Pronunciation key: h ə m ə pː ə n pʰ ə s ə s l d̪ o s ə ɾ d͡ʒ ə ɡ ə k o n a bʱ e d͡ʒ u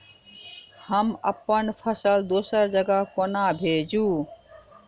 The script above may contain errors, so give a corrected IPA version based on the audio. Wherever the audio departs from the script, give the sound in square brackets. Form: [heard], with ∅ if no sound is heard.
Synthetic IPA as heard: h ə m ə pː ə n pʰ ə s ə [∅] l d̪ o s ə ɾ d͡ʒ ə ɡ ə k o n a bʱ e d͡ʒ u